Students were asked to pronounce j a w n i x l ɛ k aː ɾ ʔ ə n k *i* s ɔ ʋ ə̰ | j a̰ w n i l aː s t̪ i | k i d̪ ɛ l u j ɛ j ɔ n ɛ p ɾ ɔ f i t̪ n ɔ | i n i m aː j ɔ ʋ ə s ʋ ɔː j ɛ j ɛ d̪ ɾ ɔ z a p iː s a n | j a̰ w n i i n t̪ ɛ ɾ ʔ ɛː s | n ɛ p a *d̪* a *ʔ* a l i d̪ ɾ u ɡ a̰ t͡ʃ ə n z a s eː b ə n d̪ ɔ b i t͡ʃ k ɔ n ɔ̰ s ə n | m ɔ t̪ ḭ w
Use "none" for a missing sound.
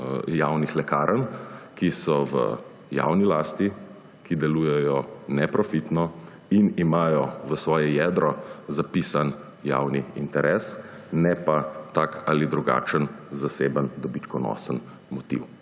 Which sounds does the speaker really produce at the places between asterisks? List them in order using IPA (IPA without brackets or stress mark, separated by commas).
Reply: i, t̪, k